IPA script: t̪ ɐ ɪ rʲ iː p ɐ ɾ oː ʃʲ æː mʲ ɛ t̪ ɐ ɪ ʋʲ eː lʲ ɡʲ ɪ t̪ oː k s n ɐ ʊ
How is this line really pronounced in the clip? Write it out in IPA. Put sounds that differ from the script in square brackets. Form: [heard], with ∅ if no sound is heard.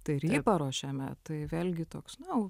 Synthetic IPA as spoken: t̪ ɐ ɪ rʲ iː p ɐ ɾ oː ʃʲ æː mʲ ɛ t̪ ɐ ɪ ʋʲ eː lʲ ɡʲ ɪ t̪ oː k s n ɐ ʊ